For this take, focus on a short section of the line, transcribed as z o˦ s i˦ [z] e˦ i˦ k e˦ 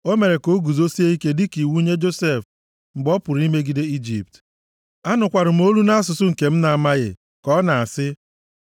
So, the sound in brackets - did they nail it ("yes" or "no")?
no